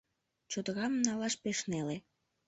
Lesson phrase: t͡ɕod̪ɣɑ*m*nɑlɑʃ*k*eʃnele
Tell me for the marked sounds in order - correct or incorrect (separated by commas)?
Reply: correct, incorrect